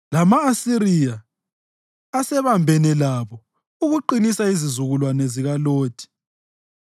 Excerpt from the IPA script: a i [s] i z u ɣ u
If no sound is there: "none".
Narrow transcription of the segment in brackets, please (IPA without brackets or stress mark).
z